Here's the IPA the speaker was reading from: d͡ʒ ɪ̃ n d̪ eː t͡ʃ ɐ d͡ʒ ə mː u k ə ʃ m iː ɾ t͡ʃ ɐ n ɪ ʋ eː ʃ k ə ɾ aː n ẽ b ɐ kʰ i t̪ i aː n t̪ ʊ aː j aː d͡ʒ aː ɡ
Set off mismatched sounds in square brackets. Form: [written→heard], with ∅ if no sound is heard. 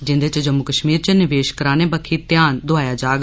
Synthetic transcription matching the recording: d͡ʒ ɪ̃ n d̪ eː t͡ʃ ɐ d͡ʒ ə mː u k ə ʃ m iː ɾ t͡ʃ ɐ n ɪ ʋ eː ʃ k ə ɾ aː n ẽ b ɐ kʰ i t̪ [i→j] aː n [t̪→d̪] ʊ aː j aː d͡ʒ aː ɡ